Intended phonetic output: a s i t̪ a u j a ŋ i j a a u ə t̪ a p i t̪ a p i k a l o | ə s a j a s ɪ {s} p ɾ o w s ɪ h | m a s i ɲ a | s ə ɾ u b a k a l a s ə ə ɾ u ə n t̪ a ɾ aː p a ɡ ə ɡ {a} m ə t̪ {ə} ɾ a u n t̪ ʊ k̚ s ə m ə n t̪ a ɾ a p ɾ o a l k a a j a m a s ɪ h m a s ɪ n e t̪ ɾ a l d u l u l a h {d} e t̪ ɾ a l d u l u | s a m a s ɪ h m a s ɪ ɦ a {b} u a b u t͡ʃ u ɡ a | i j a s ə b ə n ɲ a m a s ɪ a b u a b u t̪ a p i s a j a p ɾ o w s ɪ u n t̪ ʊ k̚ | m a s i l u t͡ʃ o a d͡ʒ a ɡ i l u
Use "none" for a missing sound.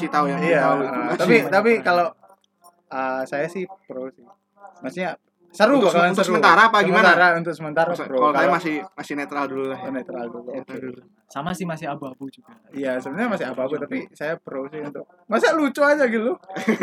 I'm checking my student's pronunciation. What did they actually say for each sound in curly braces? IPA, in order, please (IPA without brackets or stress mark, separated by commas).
h, i, a, n, b